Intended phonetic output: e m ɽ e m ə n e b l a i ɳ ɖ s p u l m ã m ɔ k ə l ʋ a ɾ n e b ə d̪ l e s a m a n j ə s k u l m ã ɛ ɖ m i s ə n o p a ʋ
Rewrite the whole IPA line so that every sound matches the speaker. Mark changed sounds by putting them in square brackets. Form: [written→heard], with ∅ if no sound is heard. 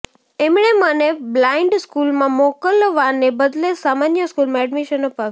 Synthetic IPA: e m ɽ e m ə n e b l a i ɳ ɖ s [p→k] u l m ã m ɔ k ə l ʋ a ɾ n e b ə d̪ l e s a m a n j ə s k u l m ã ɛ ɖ m i [s→ʃ] ə n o p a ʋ